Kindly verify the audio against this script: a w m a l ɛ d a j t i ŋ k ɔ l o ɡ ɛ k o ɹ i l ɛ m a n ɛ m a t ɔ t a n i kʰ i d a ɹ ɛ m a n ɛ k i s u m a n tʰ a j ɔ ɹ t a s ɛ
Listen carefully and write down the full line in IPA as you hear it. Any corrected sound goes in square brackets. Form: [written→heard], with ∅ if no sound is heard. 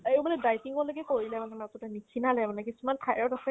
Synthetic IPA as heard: [a→e] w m a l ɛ d a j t i ŋ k ɔ l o ɡ ɛ k o ɹ i l ɛ m a n ɛ m a t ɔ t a n i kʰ i [d→n] a [ɹ→l] ɛ m a n ɛ k i s u m a n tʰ a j ɔ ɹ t a s ɛ